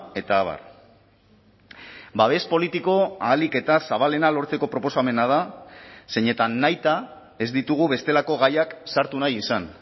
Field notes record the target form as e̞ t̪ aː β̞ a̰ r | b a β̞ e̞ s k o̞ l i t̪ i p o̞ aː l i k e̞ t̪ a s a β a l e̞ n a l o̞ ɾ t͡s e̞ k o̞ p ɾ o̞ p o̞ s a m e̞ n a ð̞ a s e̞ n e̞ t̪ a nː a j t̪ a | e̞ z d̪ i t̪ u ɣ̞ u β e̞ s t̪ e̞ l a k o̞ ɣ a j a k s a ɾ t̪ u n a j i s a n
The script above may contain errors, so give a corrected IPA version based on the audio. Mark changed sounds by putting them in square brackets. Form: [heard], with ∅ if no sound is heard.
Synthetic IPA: e̞ t̪ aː β̞ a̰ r | b a β̞ e̞ s [p] o̞ l i t̪ i [k] o̞ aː l i k e̞ t̪ a s a β a l e̞ n a l o̞ ɾ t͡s e̞ k o̞ p ɾ o̞ p o̞ s a m e̞ n a ð̞ a s e̞ [ɲ] e̞ t̪ a nː a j t̪ a | e̞ z d̪ i t̪ u ɣ̞ u β e̞ s t̪ e̞ l a k o̞ ɣ a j a k s a ɾ t̪ u n a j i s a n